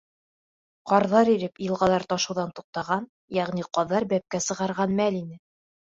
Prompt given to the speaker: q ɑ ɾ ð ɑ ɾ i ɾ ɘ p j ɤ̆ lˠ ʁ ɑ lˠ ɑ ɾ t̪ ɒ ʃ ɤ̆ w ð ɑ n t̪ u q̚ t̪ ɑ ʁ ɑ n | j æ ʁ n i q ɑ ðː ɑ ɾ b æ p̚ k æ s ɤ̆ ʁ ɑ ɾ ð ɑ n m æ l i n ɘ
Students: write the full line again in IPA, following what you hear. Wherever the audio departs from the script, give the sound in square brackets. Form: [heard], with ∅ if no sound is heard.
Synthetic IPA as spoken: q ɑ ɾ ð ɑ ɾ i ɾ ɘ p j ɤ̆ lˠ ʁ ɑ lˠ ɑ ɾ t̪ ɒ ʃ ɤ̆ w ð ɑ n t̪ u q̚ t̪ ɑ ʁ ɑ n | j æ ʁ n i q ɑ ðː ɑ ɾ b æ p̚ k æ s ɤ̆ ʁ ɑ ɾ [ʁ] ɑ n m æ l i n ɘ